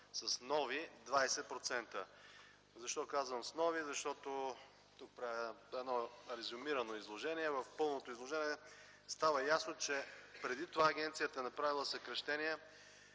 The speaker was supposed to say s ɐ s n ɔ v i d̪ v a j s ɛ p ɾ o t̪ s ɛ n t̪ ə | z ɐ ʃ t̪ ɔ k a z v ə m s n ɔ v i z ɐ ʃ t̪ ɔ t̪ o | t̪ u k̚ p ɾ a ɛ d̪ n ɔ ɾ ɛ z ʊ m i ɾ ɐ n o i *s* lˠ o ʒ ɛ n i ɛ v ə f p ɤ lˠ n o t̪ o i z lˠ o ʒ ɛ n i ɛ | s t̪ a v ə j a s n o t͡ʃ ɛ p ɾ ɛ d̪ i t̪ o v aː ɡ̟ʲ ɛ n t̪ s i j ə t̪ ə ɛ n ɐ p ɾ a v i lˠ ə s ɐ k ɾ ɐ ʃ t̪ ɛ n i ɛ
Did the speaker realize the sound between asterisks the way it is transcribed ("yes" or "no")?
no